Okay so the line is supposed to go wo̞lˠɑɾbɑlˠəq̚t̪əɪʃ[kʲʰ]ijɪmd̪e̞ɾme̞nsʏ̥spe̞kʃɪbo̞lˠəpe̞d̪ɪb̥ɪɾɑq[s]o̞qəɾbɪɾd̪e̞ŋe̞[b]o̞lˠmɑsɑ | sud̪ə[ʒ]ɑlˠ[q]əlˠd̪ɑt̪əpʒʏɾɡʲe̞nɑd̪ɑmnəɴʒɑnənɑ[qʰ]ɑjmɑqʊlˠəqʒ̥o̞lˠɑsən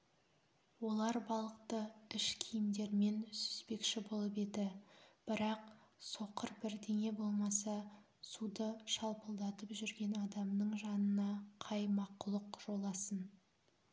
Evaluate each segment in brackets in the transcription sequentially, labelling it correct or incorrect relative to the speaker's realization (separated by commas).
correct, correct, correct, incorrect, incorrect, correct